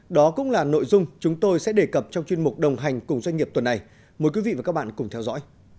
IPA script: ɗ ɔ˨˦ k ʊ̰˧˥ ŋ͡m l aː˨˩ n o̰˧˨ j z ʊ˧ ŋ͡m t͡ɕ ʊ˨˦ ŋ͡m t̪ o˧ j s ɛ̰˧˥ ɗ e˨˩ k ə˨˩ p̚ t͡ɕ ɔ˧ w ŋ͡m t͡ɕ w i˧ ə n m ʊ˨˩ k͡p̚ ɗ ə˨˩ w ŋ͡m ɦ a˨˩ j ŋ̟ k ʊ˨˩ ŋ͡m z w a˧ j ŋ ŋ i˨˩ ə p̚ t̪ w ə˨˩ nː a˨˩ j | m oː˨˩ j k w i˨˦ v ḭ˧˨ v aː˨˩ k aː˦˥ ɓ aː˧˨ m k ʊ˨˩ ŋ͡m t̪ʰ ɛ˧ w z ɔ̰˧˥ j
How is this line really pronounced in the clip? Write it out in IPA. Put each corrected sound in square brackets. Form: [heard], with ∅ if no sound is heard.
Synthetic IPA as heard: ɗ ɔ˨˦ k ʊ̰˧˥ ŋ͡m l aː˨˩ n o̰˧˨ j z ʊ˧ ŋ͡m t͡ɕ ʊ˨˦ ŋ͡m t̪ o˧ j s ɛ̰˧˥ ɗ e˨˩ k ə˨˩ p̚ t͡ɕ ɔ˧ w ŋ͡m t͡ɕ w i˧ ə n m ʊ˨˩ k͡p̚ ɗ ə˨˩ w ŋ͡m ɦ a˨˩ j ŋ̟ k ʊ˨˩ ŋ͡m z w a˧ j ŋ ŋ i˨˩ ə p̚ t̪ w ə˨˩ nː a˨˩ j | m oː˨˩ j k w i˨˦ v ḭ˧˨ v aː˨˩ k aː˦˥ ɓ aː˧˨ [n] k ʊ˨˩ ŋ͡m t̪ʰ ɛ˧ w z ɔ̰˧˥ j